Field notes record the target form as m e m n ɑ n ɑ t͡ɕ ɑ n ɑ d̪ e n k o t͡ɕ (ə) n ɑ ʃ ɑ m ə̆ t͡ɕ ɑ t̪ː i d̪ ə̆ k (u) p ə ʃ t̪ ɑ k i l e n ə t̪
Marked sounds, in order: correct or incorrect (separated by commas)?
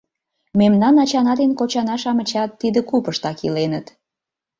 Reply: incorrect, correct